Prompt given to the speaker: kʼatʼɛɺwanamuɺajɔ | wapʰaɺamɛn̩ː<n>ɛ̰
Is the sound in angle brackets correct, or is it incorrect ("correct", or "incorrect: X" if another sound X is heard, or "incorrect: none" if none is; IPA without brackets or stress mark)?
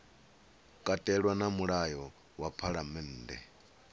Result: incorrect: d